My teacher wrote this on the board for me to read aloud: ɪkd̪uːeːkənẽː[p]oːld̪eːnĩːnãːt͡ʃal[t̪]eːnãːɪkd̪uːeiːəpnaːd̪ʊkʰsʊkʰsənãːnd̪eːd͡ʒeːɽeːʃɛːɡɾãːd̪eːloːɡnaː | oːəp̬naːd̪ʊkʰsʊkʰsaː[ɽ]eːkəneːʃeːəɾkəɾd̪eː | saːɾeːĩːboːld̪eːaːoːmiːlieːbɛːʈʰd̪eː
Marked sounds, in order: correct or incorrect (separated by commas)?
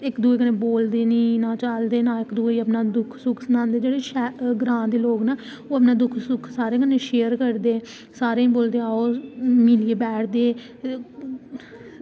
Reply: incorrect, incorrect, incorrect